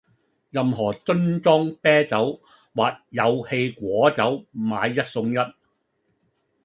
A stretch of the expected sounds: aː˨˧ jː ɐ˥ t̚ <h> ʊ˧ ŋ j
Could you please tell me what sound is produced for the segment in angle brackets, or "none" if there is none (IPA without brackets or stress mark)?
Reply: s